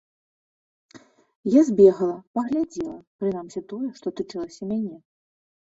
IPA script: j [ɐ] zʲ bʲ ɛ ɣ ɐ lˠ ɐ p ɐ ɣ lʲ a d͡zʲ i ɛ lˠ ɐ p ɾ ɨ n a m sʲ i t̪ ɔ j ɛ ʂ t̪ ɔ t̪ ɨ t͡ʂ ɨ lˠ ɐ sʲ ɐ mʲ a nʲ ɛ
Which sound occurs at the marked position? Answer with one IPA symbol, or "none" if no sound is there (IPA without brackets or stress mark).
a